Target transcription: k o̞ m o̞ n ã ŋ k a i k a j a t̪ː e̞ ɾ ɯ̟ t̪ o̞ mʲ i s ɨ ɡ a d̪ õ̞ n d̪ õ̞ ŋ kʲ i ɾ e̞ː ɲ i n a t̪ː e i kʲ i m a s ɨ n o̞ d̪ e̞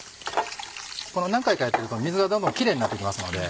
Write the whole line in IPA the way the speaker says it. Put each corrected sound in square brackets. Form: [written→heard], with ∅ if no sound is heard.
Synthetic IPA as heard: k o̞ [m→n] o̞ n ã ŋ k a i k a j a t̪ː e̞ ɾ ɯ̟ t̪ o̞ mʲ i [s→z] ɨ ɡ a d̪ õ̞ n d̪ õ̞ ŋ kʲ i ɾ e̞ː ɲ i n a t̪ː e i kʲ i m a s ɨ n o̞ d̪ e̞